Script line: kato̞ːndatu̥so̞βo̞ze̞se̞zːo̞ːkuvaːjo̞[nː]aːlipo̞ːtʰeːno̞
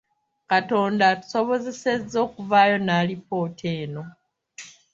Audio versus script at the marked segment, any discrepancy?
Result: yes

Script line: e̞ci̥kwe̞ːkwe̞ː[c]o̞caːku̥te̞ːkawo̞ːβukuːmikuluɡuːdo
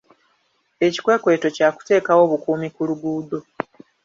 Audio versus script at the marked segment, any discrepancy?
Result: yes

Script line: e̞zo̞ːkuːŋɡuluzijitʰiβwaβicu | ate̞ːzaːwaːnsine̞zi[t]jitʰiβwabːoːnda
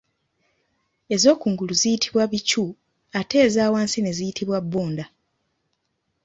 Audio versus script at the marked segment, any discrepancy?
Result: yes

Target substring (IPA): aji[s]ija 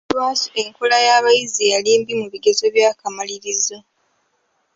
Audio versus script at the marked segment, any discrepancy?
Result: yes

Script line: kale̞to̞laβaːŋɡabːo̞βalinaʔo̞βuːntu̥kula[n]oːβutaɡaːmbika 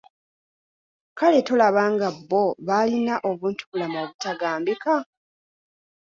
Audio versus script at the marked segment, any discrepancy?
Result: yes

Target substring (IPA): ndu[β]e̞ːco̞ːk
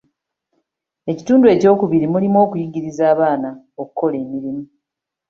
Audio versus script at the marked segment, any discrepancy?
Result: yes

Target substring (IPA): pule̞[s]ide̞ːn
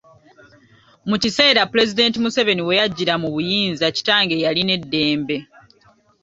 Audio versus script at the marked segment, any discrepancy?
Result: yes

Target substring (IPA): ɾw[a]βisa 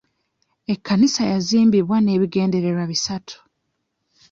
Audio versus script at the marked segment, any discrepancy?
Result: no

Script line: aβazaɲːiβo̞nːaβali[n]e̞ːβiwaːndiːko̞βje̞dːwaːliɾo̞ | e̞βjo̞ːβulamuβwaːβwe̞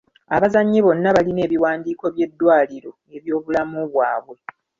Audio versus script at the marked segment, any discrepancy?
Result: no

